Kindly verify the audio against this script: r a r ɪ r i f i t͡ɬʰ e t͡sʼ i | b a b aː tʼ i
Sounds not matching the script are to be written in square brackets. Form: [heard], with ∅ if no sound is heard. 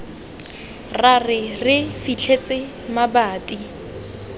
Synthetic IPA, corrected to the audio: r a r ɪ r [ɪ] f i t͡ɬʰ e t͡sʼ [ɪ] | [m] a b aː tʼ i